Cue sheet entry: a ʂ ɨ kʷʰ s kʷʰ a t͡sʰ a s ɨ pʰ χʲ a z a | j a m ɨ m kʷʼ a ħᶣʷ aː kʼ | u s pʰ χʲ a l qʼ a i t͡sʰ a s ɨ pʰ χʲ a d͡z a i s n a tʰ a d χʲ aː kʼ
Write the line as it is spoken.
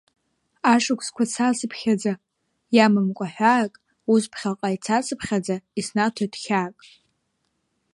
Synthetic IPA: a ʂ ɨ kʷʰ s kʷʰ a t͡sʰ a s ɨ pʰ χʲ a d͡z a | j a m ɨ m kʷʼ a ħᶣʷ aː kʼ | u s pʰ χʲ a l qʼ a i t͡sʰ a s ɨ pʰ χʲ a d͡z a i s n a tʰ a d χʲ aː kʼ